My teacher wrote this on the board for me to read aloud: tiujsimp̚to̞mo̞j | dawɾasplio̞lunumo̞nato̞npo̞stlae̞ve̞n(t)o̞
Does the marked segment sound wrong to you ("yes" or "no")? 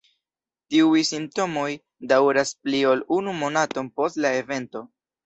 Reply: no